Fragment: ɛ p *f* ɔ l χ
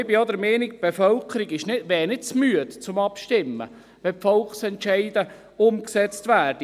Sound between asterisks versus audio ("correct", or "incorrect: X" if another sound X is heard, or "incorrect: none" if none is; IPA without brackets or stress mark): correct